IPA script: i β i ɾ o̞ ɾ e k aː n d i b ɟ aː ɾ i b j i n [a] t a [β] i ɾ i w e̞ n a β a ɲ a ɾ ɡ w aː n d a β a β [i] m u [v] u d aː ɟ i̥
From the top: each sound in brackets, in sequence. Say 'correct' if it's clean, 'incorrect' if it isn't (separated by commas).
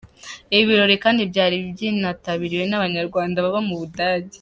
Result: correct, correct, incorrect, incorrect